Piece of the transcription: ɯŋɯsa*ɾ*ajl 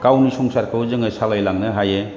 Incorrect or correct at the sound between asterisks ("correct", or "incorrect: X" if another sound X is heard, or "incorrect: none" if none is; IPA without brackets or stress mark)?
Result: incorrect: l